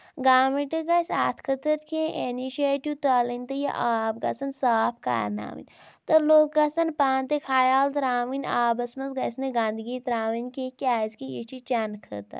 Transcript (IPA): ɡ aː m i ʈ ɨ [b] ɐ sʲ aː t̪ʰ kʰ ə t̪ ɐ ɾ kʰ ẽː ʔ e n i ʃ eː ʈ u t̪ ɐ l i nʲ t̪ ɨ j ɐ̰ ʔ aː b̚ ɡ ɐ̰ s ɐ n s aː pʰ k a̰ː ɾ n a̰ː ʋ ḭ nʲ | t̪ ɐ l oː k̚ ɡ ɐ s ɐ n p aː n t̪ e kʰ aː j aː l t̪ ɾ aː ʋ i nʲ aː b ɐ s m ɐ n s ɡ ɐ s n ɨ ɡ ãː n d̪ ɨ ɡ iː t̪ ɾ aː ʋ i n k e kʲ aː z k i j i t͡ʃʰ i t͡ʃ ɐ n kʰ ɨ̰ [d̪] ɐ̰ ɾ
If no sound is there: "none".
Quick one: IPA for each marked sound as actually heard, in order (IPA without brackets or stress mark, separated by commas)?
ɡ, t̪